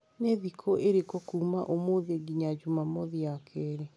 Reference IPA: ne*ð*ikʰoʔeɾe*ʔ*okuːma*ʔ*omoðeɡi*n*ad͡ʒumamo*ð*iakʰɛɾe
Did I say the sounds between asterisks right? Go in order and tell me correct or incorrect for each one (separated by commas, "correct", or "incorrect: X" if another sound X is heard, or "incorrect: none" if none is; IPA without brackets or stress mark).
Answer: correct, incorrect: k, correct, incorrect: ɲ, correct